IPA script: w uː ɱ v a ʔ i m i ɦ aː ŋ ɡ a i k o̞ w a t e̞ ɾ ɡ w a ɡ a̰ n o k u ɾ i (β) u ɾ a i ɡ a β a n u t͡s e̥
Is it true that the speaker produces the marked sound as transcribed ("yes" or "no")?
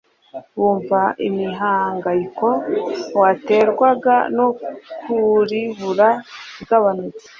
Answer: yes